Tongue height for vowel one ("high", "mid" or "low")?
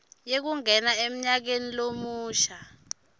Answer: mid